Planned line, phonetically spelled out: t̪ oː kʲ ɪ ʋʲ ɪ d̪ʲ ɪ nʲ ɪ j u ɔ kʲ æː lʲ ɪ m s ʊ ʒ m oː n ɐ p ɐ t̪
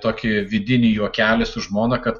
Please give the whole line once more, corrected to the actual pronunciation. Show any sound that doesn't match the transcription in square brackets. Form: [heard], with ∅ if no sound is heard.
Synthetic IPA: t̪ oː kʲ ɪ ʋʲ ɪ d̪ʲ ɪ nʲ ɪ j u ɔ kʲ æː lʲ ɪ [∅] s ʊ ʒ m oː n ɐ [k] ɐ t̪